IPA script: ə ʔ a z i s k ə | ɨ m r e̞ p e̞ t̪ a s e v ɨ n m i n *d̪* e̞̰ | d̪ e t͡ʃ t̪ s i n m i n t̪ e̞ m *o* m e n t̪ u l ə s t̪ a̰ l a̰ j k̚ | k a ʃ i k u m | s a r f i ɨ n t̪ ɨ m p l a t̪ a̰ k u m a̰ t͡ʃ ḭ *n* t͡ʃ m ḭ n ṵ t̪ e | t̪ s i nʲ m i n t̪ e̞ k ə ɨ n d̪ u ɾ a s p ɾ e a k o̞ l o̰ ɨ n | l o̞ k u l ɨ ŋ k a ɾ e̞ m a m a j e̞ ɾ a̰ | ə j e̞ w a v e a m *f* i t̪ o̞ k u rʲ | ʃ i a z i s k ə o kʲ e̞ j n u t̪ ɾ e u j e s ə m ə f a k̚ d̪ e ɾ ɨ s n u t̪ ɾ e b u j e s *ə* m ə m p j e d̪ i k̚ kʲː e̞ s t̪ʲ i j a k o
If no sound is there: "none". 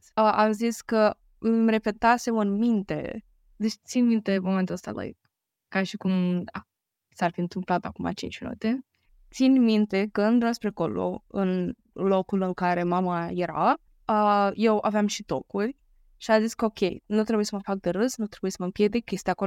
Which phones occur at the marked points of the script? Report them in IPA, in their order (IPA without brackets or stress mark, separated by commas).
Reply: t̪, o, n, ʃ, ə